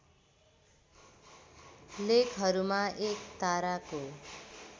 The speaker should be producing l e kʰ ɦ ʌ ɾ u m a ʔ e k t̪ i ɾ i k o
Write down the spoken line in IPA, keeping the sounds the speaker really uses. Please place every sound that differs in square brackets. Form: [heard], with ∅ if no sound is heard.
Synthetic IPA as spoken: l e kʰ ɦ ʌ ɾ u m a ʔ e k t̪ [a] ɾ [a] k o